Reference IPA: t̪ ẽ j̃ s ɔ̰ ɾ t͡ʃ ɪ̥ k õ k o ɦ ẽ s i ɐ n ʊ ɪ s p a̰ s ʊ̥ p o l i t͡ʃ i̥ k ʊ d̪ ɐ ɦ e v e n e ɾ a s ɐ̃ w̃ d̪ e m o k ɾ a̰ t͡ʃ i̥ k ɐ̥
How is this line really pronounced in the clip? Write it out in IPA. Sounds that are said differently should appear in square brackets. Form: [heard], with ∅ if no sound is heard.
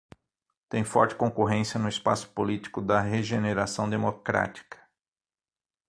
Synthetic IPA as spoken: t̪ ẽ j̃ [f] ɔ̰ ɾ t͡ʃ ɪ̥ k õ k o ɦ ẽ s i ɐ n ʊ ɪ s p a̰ s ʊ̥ p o l i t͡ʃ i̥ k ʊ d̪ ɐ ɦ e [ʒ] e n e ɾ a s ɐ̃ w̃ d̪ e m o k ɾ a̰ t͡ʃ i̥ k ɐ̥